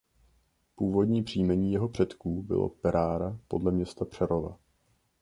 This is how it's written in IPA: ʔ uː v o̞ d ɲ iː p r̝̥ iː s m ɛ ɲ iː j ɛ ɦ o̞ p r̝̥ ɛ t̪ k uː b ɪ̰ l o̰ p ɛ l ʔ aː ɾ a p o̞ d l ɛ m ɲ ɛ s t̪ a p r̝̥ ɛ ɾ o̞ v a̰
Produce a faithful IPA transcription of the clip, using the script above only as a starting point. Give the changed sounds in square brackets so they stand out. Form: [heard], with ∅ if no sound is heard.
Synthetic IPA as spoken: [p] uː v o̞ d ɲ iː p r̝̥ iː [∅] m ɛ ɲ iː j ɛ ɦ o̞ p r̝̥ ɛ t̪ k uː b ɪ̰ l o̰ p ɛ [ɾ] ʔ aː ɾ a p o̞ d l ɛ m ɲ ɛ s t̪ a p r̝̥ ɛ ɾ o̞ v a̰